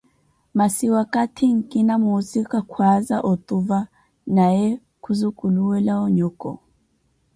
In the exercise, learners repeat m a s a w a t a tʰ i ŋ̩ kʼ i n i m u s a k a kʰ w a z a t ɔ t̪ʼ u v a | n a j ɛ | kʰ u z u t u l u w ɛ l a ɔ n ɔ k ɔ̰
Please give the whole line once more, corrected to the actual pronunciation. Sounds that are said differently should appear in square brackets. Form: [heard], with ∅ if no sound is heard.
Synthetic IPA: m a s [i] w a [k] a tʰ i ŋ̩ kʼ i n [a] m u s [i] k a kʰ w a z a [ʔ] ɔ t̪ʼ u v a | n a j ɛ | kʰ u z u [k] u l u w ɛ l a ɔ [ɲ] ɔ k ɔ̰